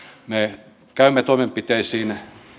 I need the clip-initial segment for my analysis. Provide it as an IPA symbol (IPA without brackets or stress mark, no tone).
m